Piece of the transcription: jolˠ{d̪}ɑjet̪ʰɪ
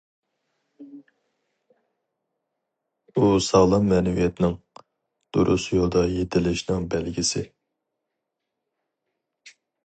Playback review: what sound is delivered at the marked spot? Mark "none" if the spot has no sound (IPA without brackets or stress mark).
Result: d̪